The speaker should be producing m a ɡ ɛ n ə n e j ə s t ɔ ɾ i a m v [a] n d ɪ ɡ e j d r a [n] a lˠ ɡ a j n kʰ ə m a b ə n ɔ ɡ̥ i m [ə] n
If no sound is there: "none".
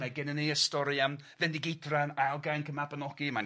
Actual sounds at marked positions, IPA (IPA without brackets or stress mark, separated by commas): ɛ, n, a